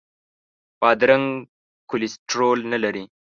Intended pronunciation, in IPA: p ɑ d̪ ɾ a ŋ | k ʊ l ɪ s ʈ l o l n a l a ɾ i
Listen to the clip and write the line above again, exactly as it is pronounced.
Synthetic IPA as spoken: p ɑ d̪ ɾ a ŋ | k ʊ l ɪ s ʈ ɾ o l n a l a ɾ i

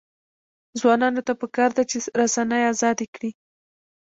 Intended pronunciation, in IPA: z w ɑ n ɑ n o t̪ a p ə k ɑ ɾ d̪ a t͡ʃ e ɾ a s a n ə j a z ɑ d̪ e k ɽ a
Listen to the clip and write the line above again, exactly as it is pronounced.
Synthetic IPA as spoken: z w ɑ n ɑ n o t̪ a p ə k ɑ ɾ d̪ a t͡ʃ e ɾ a s a n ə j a z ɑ d̪ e k ɽ i

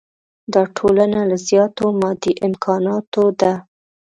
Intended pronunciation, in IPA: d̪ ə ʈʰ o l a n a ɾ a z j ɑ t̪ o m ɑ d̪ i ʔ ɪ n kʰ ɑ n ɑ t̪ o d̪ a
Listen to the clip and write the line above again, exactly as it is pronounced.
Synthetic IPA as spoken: d̪ ɑ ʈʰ o l a n a l a z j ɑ t̪ o m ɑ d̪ i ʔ ɪ m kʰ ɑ n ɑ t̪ o d̪ a

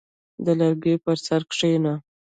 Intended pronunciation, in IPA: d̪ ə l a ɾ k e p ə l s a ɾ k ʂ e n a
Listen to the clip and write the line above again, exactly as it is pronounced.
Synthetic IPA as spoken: d̪ ə l a ɾ ɡ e p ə ɾ s a ɾ k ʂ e n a

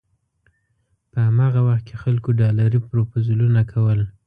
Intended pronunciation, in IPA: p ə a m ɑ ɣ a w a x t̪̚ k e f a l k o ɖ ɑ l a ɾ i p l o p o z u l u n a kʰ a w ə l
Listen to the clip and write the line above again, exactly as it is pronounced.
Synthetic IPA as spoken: p ə a m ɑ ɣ a w a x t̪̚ k e x a l k o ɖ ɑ l a ɾ i p ɾ o p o z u l u n a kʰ a w ə l

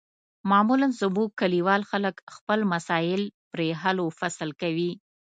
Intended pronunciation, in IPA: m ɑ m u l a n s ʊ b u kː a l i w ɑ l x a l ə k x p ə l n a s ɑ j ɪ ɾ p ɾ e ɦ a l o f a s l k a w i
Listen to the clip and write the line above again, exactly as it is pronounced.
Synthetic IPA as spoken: m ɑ m u l a n s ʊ b u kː a l i w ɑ l x a l ə k x p ə l m a s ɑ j ɪ l p ɾ e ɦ a l o f a s l k a w i

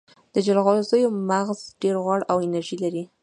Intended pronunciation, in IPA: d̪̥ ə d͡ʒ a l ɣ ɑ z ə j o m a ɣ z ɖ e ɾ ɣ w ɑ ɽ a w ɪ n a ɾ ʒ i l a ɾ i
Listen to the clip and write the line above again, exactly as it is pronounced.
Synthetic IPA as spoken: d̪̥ ə d͡ʒ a l ɣ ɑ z ə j o m a ɣ z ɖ e ɾ ɣ w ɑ ɽ a w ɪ n a ɾ ʒ i l a ɾ i

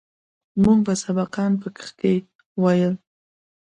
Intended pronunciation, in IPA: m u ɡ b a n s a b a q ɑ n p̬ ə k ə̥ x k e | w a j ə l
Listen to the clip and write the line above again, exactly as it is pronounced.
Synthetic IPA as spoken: m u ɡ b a s a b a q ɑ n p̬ ə k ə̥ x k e | w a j ə l

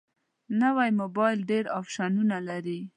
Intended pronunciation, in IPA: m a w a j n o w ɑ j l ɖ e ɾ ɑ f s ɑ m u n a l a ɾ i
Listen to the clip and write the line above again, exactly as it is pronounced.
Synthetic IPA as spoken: n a w a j m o b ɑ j l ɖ e ɾ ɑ f ʃ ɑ n u n a l a ɾ i

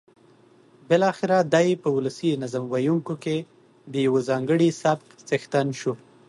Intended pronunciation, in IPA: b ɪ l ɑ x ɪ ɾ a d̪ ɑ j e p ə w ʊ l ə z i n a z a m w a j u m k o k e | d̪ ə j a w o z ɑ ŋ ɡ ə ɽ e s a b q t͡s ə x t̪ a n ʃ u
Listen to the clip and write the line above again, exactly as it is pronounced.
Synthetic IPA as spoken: b ɪ l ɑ x ɪ ɾ a d̪ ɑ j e p ə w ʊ l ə s i n a z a m w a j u ŋ k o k e | d̪ ə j a w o z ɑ ŋ ɡ ə ɽ i s a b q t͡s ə x t̪ a n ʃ u

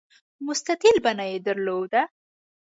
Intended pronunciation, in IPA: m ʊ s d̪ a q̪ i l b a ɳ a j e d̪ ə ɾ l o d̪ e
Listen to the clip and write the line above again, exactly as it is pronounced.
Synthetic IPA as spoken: m ʊ s t̪ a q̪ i l b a n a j e d̪ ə ɾ l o d̪ a

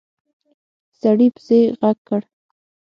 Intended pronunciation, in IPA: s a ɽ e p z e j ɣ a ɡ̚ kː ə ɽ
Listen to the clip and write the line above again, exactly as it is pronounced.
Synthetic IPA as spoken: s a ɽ i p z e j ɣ a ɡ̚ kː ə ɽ

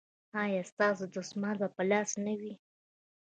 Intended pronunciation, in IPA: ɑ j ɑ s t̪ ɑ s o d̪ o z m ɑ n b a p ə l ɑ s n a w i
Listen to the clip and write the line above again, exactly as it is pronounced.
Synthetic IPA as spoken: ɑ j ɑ s t̪ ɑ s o d̪ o s m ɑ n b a p ə l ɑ s n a w i

